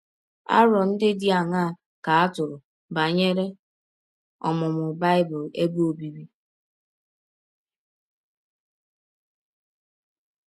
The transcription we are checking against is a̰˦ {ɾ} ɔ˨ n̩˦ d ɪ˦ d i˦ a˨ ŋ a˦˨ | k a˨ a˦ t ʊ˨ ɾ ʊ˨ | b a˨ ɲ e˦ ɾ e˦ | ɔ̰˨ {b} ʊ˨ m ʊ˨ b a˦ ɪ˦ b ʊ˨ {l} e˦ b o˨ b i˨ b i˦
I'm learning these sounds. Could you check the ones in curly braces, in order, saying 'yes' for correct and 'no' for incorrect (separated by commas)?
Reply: yes, no, yes